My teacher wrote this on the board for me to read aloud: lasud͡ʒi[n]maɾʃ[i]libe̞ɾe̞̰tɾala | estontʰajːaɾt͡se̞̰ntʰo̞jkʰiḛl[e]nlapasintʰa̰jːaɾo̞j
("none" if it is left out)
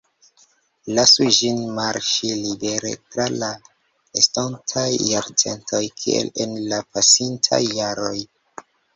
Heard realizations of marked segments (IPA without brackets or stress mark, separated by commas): n, i, e